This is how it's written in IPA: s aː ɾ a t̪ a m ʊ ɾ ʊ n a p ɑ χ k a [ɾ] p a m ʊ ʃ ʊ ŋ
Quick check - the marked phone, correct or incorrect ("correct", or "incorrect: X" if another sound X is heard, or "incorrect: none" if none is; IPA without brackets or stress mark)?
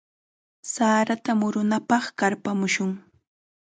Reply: correct